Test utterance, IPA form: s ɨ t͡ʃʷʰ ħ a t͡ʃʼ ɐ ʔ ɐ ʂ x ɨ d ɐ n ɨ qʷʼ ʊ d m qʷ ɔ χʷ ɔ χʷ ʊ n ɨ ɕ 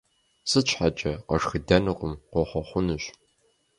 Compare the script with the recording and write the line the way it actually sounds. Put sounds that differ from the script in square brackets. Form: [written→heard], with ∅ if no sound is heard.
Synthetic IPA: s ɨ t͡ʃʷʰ ħ a t͡ʃʼ ɐ [ʔ→q] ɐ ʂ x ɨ d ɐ n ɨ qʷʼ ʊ [d→∅] m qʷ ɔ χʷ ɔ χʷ ʊ n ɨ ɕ

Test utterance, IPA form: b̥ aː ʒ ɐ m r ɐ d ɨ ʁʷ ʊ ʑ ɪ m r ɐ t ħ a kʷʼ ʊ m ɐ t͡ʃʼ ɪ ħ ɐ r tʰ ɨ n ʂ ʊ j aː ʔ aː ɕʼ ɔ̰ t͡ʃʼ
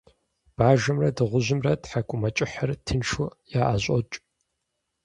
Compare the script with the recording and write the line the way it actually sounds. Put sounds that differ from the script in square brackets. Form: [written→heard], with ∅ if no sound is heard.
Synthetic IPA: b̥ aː ʒ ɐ m r ɐ d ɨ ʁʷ ʊ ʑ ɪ m r ɐ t ħ a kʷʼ ʊ m ɐ t͡ʃʼ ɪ ħ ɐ r tʰ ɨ n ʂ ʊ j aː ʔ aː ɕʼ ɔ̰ t͡ʃʼ

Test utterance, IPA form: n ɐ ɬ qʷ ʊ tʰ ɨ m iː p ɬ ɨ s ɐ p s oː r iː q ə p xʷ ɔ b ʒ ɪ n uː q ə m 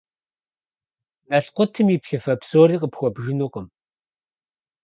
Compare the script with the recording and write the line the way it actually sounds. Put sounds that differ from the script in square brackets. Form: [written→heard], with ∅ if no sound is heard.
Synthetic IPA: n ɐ ɬ qʷ ʊ tʰ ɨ m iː p ɬ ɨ [s→f] ɐ p s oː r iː q ə p xʷ ɔ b ʒ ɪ n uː q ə m

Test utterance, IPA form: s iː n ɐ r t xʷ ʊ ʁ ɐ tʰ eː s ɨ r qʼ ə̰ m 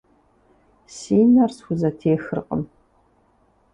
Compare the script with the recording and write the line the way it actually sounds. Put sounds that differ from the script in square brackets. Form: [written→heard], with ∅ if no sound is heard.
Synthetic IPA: s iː n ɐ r [t→s] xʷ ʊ [ʁ→z] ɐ tʰ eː [s→x] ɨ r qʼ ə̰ m

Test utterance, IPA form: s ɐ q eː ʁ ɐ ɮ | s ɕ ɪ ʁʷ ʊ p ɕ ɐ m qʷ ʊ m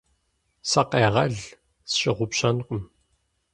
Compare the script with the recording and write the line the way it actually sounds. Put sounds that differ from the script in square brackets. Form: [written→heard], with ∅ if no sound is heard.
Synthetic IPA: s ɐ q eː ʁ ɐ ɮ | s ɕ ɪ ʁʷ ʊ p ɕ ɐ [m→n] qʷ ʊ m

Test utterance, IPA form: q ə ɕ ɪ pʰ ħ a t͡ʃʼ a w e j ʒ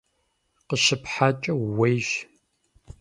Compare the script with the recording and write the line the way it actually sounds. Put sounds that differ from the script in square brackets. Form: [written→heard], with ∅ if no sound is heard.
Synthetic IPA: q ə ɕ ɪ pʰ ħ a t͡ʃʼ [a→ɐ] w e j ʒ

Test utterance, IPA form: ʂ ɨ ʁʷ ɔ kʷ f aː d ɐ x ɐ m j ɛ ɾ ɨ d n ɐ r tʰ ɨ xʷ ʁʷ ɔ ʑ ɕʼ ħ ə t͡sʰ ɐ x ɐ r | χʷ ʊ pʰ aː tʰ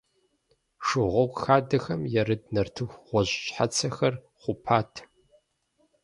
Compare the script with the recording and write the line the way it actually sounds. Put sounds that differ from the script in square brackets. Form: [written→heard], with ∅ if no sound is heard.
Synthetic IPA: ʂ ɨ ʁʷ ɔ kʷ [f→x] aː d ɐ x ɐ m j ɛ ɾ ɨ d n ɐ r tʰ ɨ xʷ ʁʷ ɔ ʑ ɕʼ ħ [ə→a] t͡sʰ ɐ x ɐ r | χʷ ʊ pʰ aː tʰ

